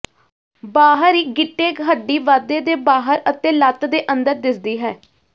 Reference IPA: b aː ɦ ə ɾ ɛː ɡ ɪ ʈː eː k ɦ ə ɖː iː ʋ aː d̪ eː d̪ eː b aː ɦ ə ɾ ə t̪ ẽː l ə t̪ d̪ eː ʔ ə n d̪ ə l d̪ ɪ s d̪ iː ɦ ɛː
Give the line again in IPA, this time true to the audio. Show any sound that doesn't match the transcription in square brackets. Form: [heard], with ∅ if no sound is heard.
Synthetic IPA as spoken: b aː ɦ ə ɾ [iː] ɡ ɪ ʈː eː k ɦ ə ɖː iː ʋ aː d̪ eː d̪ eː b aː ɦ ə ɾ ə t̪ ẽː l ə t̪ d̪ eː ʔ ə n d̪ ə [ɾ] d̪ ɪ s d̪ iː ɦ ɛː